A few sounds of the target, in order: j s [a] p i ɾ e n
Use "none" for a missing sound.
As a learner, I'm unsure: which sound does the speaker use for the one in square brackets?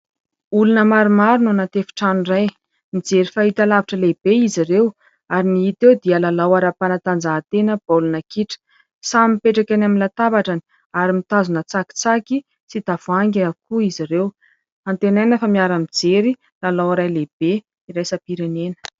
a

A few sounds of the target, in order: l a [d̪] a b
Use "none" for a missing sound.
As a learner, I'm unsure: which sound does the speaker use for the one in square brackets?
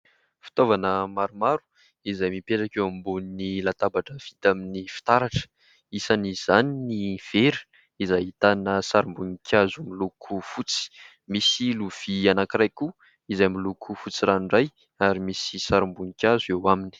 t̪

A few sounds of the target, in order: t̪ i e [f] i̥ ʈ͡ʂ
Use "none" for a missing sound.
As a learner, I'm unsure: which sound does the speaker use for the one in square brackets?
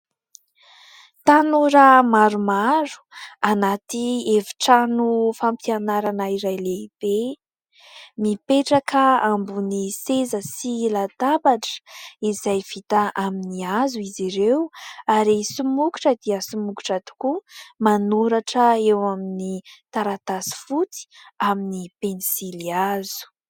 v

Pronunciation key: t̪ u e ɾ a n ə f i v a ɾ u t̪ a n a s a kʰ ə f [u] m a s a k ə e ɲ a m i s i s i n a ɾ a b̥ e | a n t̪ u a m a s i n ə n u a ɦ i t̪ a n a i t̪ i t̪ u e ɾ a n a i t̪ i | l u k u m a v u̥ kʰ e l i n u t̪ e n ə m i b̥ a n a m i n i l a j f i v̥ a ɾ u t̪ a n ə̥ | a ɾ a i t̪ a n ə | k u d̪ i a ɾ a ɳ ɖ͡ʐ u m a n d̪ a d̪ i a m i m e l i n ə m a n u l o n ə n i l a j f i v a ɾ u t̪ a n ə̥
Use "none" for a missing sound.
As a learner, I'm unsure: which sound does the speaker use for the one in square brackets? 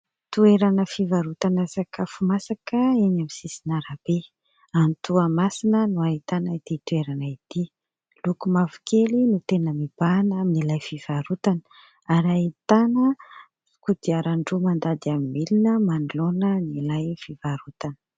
u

